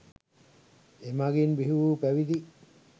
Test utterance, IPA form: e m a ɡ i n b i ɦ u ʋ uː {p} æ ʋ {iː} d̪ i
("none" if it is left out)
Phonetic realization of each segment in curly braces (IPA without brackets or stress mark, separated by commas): p, i